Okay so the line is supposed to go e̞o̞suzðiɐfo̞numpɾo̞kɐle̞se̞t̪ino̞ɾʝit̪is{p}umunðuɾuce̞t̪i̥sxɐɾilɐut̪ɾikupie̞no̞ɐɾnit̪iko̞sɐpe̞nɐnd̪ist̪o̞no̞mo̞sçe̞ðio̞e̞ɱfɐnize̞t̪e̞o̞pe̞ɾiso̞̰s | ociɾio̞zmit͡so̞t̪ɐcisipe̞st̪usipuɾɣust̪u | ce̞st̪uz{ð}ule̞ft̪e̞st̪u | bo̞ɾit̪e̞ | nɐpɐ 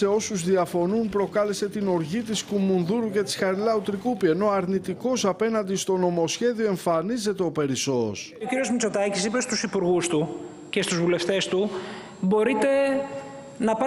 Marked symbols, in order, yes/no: no, no

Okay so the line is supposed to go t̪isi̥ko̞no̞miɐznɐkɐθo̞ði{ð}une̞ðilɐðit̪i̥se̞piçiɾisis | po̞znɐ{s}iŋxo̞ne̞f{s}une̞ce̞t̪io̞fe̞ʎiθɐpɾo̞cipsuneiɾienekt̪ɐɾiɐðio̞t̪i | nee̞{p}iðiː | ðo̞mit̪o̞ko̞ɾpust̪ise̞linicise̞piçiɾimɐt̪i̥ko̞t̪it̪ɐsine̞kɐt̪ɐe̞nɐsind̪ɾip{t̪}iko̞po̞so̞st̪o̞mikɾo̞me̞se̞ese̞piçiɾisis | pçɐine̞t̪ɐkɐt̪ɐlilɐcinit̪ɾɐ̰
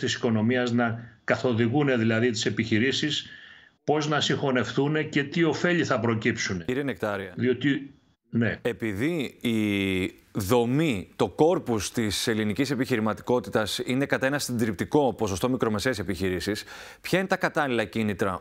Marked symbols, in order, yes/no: no, yes, no, yes, yes

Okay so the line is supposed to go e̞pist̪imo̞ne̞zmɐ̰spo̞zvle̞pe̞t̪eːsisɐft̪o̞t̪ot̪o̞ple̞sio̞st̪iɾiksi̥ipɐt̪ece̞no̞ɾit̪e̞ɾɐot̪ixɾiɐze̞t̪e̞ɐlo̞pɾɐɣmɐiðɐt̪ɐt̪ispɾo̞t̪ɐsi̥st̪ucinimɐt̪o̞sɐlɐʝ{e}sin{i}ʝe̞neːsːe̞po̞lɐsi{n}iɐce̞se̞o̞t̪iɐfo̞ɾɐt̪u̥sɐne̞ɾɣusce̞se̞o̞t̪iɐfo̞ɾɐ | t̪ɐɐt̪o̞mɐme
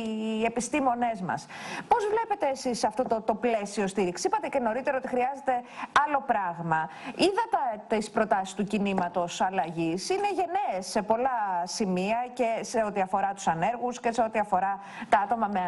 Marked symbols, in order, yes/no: no, no, no

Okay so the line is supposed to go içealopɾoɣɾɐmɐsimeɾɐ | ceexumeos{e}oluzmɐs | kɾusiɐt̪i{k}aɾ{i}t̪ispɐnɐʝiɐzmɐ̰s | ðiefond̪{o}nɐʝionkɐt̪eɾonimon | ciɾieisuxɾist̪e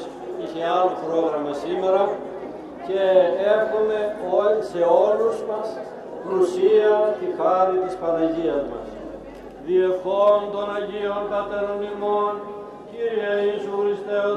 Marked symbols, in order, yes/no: yes, no, yes, yes

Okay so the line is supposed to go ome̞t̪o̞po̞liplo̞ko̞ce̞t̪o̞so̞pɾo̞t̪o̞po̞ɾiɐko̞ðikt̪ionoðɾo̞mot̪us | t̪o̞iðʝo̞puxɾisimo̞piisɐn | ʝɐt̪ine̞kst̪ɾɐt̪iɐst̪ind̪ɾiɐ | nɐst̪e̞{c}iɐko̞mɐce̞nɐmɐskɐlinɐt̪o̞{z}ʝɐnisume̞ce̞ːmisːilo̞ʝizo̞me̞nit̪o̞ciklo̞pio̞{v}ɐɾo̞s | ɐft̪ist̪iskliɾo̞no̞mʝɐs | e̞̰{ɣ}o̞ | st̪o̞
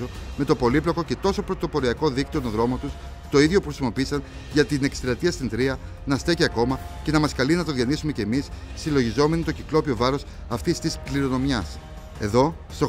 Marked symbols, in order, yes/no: yes, no, yes, no

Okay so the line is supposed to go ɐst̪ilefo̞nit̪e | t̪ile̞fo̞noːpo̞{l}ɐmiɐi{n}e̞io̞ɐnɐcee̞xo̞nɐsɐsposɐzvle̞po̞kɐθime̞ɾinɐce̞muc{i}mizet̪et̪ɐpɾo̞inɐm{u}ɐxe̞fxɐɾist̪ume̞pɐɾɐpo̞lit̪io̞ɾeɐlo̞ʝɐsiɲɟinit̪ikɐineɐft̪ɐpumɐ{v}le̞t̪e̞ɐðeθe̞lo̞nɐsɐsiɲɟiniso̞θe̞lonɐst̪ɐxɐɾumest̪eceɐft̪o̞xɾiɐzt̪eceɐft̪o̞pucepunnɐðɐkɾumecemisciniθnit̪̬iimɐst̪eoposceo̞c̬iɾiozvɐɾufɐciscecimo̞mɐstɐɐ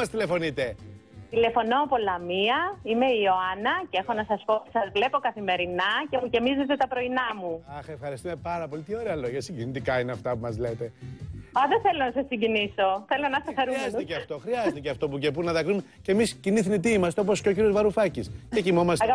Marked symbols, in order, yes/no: yes, no, no, yes, no

